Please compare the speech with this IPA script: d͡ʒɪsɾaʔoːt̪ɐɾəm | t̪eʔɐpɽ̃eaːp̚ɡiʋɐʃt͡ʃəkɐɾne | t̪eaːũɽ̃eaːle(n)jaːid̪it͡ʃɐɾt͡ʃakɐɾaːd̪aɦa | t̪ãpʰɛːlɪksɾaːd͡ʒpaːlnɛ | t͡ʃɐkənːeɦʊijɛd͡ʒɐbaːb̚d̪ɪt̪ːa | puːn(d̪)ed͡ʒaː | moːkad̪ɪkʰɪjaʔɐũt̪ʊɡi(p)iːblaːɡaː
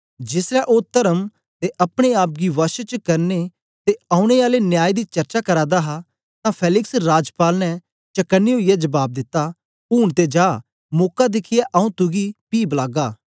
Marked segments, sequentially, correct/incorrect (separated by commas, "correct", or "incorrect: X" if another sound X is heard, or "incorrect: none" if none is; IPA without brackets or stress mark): correct, incorrect: t̪, correct